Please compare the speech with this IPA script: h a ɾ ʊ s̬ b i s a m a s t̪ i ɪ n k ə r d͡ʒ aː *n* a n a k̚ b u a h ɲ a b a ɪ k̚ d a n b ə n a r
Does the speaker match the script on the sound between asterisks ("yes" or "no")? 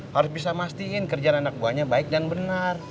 yes